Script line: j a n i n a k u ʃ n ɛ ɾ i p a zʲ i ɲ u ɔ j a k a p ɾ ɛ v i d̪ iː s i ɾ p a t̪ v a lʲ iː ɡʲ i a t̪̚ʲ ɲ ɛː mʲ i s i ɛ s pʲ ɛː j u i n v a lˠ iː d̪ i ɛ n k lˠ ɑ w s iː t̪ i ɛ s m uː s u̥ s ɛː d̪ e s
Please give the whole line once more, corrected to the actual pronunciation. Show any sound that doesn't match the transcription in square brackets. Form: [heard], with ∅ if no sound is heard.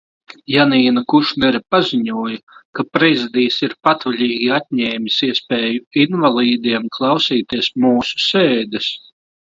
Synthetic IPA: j a n [iː] n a k u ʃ n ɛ ɾ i p a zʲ i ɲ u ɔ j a k a p ɾ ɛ [z] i d̪ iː s i ɾ p a t̪ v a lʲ iː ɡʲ i a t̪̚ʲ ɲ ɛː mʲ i s i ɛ s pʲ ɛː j u i n v a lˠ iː d̪ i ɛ [m] k lˠ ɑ w s iː t̪ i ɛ s m uː s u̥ s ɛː d̪ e s